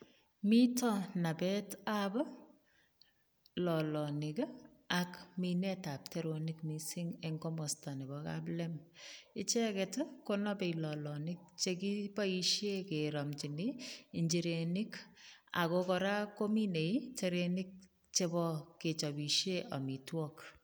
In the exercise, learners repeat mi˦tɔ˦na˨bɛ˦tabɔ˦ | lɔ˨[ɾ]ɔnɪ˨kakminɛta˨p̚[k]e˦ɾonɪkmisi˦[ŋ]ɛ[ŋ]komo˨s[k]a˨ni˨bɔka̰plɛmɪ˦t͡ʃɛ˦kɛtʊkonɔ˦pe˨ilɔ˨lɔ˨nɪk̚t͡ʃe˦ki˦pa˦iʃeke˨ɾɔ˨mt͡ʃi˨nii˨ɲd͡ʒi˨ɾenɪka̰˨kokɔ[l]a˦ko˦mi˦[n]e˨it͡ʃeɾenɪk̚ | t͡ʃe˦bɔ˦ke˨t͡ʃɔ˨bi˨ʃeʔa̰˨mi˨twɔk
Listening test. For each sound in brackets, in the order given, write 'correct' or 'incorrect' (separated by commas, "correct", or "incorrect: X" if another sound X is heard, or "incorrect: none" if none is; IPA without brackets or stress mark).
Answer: incorrect: l, incorrect: t, correct, correct, incorrect: t, incorrect: ɾ, correct